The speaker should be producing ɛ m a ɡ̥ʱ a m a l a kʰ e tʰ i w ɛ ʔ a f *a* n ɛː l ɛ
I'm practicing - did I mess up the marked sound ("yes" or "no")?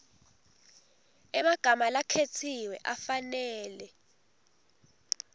no